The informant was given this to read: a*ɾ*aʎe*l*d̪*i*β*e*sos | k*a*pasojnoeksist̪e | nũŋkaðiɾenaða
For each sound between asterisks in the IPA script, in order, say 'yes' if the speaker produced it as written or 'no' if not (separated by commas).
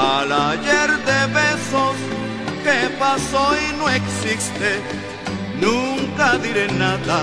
no, no, no, yes, no